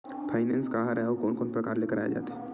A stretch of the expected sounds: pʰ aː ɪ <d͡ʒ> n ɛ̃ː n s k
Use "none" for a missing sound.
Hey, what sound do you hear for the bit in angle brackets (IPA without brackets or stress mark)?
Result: none